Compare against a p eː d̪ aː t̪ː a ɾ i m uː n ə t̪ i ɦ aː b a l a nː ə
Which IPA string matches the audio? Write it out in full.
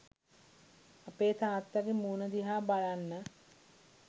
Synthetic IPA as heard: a p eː t̪ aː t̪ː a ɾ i m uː n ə d̪ i ɦ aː b a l a nː ə